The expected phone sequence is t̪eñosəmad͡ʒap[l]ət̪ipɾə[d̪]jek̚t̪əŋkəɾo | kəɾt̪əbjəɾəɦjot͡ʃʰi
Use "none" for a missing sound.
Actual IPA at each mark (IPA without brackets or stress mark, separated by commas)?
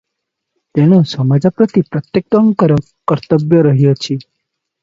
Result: ɾ, t̪